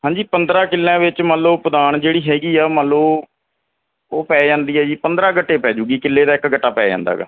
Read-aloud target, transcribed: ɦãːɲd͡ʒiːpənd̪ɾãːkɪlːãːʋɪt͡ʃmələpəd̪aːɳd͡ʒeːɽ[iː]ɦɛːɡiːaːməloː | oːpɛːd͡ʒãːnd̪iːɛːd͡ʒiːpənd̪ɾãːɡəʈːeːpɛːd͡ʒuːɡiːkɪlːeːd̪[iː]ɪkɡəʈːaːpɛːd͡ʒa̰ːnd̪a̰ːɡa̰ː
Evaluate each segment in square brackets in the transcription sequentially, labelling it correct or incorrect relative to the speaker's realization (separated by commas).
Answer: correct, incorrect